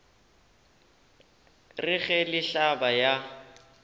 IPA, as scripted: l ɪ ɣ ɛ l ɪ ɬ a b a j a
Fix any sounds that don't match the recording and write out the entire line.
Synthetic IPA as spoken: r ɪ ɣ ɛ l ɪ ɬ a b a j a